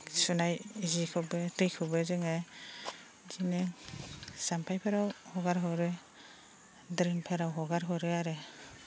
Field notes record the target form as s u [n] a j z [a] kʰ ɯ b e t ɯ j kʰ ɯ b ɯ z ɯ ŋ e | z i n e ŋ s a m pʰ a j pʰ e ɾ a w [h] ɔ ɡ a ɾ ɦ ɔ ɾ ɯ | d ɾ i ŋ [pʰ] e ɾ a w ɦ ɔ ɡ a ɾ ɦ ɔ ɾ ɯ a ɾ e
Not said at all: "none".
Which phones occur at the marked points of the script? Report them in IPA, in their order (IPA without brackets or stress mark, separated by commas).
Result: n, i, h, pʰ